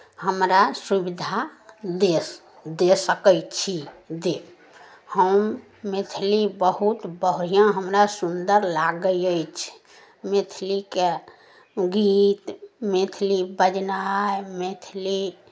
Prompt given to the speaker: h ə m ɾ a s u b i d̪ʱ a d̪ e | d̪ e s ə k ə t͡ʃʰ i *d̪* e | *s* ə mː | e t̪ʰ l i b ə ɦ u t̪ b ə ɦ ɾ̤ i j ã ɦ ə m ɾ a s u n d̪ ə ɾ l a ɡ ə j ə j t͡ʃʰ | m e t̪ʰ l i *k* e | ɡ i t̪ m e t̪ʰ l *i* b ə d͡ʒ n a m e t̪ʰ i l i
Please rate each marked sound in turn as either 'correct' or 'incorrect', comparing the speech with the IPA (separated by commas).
correct, incorrect, correct, correct